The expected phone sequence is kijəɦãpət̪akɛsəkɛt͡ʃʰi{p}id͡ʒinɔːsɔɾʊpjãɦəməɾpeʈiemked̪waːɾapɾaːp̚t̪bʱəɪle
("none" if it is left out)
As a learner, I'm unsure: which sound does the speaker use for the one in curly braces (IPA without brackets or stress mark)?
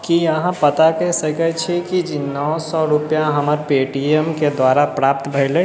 k